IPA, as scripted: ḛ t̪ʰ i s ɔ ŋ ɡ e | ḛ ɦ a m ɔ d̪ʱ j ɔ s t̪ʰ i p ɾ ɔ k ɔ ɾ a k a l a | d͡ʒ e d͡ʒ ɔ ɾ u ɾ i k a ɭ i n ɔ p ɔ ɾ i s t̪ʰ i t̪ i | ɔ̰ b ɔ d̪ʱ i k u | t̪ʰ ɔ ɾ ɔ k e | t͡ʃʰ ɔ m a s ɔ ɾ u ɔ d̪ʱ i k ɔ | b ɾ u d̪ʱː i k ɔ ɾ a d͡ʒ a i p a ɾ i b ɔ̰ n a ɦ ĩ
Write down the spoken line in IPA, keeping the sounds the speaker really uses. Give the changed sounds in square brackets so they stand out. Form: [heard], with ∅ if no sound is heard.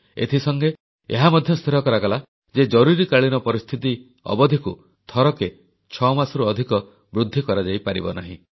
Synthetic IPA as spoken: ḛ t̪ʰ i s ɔ ŋ ɡ e | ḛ ɦ a m ɔ d̪ʱ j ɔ s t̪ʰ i [∅] ɾ ɔ k ɔ ɾ a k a l a | d͡ʒ e d͡ʒ ɔ ɾ u ɾ i k a ɭ i n ɔ p ɔ ɾ i s t̪ʰ i t̪ i | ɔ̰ b ɔ d̪ʱ i k u | t̪ʰ ɔ ɾ ɔ k e | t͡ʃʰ ɔ m a s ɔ ɾ u ɔ d̪ʱ i k ɔ | b ɾ u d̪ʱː i k ɔ ɾ a d͡ʒ a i p a ɾ i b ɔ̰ n a ɦ ĩ